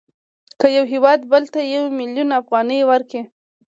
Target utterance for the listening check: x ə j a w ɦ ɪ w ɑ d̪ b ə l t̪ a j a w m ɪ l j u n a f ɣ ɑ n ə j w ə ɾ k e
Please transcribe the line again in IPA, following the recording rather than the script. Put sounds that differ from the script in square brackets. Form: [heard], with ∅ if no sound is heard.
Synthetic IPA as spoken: [k] ə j a w ɦ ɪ w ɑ d̪ b ə l t̪ a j a w m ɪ l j u n a f ɣ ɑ n ə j w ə ɾ k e